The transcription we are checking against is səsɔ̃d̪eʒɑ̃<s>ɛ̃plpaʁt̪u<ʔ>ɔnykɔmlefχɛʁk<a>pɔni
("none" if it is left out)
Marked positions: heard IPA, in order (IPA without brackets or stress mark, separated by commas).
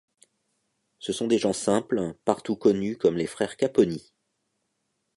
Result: s, k, a